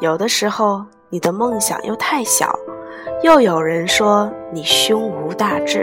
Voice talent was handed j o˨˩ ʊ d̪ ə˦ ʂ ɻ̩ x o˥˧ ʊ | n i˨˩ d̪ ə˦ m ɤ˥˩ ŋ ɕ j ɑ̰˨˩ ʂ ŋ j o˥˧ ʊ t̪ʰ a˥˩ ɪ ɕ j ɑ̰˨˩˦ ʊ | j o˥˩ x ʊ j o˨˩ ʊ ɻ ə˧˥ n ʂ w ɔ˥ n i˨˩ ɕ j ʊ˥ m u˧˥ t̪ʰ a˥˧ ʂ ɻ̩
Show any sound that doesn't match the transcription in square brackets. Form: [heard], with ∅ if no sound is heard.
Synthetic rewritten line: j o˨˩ ʊ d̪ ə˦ ʂ ɻ̩ x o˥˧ ʊ | n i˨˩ d̪ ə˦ m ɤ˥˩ ŋ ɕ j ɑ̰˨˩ [∅] ŋ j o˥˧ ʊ t̪ʰ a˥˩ ɪ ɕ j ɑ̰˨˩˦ ʊ | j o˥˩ [∅] ʊ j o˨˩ ʊ ɻ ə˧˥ n ʂ w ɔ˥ n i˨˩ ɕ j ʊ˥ [ŋ] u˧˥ [t̪] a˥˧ [ʈ͡ʂ] ɻ̩